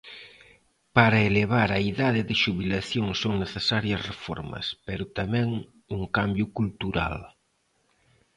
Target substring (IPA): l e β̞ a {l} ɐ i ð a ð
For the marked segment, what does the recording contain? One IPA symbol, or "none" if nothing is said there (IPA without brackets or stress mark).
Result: ɾ